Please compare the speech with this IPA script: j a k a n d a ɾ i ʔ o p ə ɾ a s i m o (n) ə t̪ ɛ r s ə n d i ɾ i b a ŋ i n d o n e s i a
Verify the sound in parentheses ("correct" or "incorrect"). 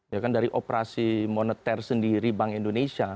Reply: correct